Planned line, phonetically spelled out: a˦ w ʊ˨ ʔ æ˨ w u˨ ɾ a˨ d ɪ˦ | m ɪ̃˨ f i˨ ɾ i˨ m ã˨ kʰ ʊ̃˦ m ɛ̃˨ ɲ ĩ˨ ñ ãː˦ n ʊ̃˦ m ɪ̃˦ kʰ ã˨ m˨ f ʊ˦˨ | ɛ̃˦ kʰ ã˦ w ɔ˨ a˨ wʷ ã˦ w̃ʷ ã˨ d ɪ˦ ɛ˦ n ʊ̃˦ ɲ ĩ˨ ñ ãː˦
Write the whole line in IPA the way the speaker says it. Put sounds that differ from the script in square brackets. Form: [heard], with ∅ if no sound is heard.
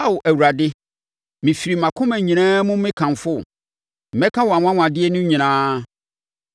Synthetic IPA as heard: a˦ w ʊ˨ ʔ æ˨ w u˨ ɾ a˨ d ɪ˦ | m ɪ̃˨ f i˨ ɾ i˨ m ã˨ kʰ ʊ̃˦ m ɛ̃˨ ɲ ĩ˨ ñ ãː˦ [m] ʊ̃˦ m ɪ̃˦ kʰ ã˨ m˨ f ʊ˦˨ | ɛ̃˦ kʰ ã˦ w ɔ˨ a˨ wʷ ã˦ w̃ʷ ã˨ d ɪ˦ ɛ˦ n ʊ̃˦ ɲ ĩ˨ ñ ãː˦